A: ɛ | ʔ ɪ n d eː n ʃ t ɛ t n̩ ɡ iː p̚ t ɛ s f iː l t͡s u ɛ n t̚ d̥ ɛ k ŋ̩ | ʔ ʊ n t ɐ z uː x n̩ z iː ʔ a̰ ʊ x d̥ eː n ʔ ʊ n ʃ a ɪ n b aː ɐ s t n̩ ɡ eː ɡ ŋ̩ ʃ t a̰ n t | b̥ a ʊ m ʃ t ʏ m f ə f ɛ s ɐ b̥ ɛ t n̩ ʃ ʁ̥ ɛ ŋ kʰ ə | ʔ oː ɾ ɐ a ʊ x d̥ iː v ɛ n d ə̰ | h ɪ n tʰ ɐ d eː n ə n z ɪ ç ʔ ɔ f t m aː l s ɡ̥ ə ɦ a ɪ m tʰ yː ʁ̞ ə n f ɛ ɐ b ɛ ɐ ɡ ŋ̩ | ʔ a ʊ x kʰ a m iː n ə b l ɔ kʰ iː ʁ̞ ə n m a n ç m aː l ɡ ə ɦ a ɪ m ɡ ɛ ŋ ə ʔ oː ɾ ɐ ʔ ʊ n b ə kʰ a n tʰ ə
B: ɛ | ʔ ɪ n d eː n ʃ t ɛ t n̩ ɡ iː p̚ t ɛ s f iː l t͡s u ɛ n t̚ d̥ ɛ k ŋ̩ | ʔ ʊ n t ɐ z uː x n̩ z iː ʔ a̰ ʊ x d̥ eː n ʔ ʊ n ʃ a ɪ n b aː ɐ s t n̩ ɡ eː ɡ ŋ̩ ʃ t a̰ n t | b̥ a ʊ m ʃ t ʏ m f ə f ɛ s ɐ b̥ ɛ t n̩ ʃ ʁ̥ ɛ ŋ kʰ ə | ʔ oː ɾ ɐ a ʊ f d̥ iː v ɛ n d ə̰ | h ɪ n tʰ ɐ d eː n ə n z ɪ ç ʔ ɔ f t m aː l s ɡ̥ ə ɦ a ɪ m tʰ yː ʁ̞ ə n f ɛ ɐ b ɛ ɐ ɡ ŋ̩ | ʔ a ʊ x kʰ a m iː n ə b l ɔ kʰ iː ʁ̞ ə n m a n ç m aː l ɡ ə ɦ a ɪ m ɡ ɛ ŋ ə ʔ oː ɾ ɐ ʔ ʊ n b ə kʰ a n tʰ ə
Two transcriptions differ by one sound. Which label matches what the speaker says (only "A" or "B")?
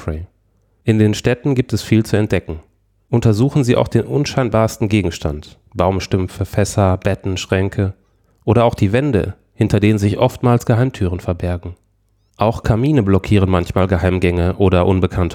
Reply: A